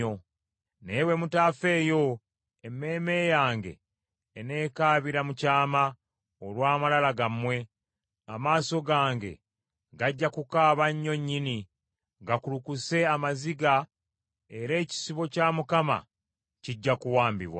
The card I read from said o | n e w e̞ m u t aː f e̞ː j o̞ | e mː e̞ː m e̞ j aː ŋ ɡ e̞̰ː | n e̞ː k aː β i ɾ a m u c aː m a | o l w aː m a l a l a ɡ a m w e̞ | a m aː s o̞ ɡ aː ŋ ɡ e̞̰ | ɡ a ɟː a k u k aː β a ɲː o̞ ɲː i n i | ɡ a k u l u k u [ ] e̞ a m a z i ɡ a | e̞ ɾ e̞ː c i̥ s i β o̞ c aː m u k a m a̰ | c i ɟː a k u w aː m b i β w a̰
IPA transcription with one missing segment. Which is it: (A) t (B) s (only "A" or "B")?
B